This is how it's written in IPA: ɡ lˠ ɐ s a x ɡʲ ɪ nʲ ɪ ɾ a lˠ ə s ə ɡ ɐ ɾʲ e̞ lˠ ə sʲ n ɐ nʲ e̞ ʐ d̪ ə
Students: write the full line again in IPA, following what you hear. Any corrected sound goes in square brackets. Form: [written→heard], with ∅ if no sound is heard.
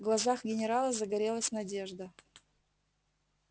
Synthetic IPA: ɡ lˠ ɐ [s→z] a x ɡʲ ɪ nʲ ɪ ɾ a lˠ ə [s→z] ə ɡ ɐ ɾʲ e̞ lˠ ə sʲ n ɐ [nʲ→dʲ] e̞ ʐ d̪ ə

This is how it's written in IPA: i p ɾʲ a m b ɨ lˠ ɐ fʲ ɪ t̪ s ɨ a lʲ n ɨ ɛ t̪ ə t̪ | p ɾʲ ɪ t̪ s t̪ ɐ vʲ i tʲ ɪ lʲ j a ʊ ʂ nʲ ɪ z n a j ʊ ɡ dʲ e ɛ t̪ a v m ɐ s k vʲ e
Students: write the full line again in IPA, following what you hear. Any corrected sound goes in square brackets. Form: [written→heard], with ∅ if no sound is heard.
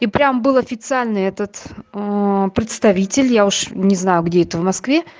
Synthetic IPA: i p ɾʲ a m b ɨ lˠ ɐ fʲ ɪ t̪ s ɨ a lʲ n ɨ ɛ t̪ ə t̪ | p ɾʲ ɪ t̪ s t̪ ɐ vʲ i tʲ ɪ lʲ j a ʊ ʂ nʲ ɪ z n a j ʊ ɡ dʲ e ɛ t̪ [a→ə] v m ɐ s k vʲ e

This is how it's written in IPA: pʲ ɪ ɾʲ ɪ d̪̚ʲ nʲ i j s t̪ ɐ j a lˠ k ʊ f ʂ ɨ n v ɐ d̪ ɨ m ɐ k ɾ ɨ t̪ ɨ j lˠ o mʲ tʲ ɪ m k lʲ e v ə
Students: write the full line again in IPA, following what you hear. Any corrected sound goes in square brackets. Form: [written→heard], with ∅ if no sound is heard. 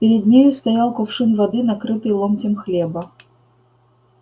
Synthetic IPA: pʲ ɪ ɾʲ ɪ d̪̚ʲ nʲ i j s t̪ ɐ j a lˠ k ʊ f ʂ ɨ n v ɐ d̪ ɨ [m→n] ɐ k ɾ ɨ t̪ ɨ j lˠ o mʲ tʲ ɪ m [k→x] lʲ e [v→b] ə

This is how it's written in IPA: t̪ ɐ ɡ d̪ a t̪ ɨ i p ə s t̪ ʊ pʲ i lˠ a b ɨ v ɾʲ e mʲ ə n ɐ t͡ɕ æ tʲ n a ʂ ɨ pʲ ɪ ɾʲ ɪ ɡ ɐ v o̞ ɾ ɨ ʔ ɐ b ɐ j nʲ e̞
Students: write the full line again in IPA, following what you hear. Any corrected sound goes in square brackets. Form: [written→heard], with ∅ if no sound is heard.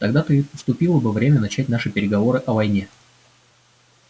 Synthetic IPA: t̪ ɐ ɡ d̪ a t̪ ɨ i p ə s t̪ ʊ pʲ i lˠ [a→ə] b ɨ v ɾʲ e mʲ ə n ɐ t͡ɕ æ tʲ n a ʂ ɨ pʲ ɪ ɾʲ ɪ ɡ ɐ v o̞ ɾ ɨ ʔ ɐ [b→v] ɐ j nʲ e̞

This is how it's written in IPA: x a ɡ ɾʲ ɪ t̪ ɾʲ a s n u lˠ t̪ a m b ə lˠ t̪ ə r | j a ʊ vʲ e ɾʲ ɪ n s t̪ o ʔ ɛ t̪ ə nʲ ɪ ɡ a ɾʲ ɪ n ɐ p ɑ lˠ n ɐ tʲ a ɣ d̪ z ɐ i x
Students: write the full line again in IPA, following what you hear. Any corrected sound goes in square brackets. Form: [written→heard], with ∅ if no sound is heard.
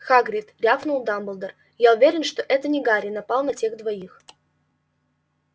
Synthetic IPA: x a ɡ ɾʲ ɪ t̪ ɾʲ a [s→f] n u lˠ [t̪→d̪] a m b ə lˠ [t̪→d̪] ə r | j a ʊ vʲ e ɾʲ ɪ n [s→ʂ] t̪ o ʔ ɛ t̪ ə nʲ ɪ ɡ a ɾʲ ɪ n ɐ p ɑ lˠ n ɐ tʲ [a→e] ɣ d̪ [z→v] ɐ i x

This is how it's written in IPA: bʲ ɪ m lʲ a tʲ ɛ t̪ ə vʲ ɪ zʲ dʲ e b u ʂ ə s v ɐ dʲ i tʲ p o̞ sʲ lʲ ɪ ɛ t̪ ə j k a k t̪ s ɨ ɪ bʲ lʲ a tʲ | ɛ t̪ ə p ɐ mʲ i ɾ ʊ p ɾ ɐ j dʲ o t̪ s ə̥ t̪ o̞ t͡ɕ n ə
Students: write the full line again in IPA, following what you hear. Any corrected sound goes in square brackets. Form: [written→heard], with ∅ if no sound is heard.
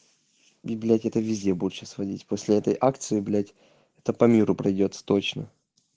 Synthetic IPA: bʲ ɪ [m→b] lʲ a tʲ ɛ t̪ ə vʲ ɪ zʲ dʲ e b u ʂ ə s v ɐ dʲ i tʲ p o̞ sʲ lʲ ɪ ɛ t̪ ə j [k→ʔ] a k t̪ s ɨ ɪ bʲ lʲ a tʲ | ɛ t̪ ə p ɐ mʲ i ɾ ʊ p ɾ ɐ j dʲ o t̪ s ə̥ t̪ o̞ t͡ɕ n ə

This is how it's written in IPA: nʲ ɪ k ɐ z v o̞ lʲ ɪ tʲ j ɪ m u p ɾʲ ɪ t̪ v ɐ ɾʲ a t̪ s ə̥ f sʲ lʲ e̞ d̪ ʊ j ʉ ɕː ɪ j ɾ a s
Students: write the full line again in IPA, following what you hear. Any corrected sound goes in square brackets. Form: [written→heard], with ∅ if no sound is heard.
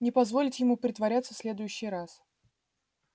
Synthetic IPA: nʲ ɪ [k→p] ɐ z v o̞ lʲ ɪ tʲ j ɪ m u p ɾʲ ɪ t̪ v ɐ ɾʲ a t̪ s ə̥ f sʲ lʲ e̞ d̪ ʊ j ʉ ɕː ɪ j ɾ a s

